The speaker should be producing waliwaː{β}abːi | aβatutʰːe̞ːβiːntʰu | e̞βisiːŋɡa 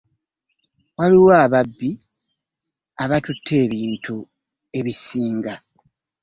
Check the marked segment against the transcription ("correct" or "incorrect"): correct